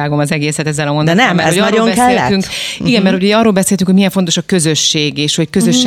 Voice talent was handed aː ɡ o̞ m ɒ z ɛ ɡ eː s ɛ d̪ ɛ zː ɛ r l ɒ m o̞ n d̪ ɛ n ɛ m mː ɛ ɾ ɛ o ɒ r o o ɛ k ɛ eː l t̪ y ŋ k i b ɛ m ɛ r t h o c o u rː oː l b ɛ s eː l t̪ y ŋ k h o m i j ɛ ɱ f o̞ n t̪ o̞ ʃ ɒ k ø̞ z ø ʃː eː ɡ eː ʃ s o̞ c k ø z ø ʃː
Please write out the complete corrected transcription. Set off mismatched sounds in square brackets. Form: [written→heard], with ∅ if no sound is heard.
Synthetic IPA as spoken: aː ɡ o̞ m ɒ z ɛ ɡ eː s ɛ [d̪→t̪] ɛ zː ɛ [r→∅] l ɒ m o̞ n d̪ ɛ n ɛ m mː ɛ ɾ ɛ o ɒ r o o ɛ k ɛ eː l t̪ y ŋ k i [b→ɡ] ɛ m ɛ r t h o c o [u→ɒ] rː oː l b ɛ s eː l t̪ y ŋ k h o m i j ɛ ɱ f o̞ n t̪ o̞ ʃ ɒ k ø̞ z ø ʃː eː ɡ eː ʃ [s→h] o̞ c k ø z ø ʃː